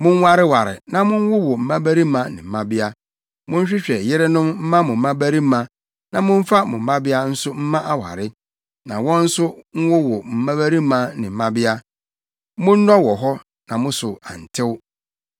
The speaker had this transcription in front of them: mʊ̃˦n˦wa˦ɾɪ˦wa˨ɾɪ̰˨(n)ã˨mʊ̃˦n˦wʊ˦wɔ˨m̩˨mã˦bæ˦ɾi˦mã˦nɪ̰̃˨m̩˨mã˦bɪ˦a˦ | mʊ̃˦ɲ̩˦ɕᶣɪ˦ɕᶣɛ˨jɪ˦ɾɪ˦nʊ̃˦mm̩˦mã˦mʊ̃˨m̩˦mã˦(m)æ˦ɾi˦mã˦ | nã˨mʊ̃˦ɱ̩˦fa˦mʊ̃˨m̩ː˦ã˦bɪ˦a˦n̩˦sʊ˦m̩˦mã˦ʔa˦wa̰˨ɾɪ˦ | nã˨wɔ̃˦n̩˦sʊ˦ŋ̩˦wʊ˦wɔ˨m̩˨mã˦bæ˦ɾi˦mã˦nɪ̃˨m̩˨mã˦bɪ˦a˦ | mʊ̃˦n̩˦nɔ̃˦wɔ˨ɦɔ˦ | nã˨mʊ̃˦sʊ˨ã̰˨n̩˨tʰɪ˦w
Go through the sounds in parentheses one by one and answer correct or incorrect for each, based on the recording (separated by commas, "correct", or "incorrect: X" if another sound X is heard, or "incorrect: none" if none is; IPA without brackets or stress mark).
correct, incorrect: b